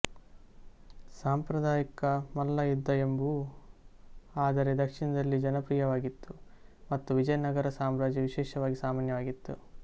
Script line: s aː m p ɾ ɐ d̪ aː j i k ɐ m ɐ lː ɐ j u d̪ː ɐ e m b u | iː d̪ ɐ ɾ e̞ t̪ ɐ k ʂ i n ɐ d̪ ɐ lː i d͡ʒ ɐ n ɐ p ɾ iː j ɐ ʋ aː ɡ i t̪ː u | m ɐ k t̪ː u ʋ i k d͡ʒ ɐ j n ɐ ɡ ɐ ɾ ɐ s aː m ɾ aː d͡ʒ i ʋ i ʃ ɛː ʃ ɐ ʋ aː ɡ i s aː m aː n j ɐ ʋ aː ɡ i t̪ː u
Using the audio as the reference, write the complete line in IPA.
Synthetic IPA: s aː m p ɾ ɐ d̪ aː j i k ɐ m ɐ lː ɐ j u d̪ː ɐ e m b u | aː d̪ ɐ ɾ e̞ d̪ ɐ k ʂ i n ɐ d̪ ɐ lː i d͡ʒ ɐ n ɐ p ɾ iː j ɐ ʋ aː ɡ i t̪ː u | m ɐ t̪ː u ʋ i d͡ʒ ɐ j n ɐ ɡ ɐ ɾ ɐ s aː m ɾ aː d͡ʒ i ʋ i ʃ ɛː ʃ ɐ ʋ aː ɡ i s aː m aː n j ɐ ʋ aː ɡ i t̪ː u